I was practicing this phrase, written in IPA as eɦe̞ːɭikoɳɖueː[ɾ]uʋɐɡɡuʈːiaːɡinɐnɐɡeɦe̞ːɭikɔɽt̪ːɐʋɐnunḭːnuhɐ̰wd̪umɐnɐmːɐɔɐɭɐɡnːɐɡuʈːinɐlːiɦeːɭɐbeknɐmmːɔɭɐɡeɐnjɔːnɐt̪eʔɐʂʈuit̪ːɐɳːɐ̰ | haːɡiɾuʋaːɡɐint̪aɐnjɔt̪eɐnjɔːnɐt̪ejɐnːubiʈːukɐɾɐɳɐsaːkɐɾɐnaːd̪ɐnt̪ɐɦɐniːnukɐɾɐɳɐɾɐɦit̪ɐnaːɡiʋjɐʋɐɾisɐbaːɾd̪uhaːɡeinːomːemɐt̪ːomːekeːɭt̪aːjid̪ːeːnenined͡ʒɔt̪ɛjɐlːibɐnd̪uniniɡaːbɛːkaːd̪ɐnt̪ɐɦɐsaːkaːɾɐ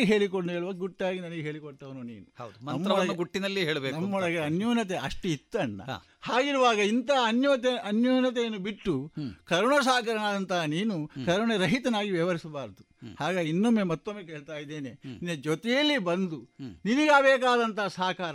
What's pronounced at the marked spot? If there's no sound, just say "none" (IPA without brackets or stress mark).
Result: ɭ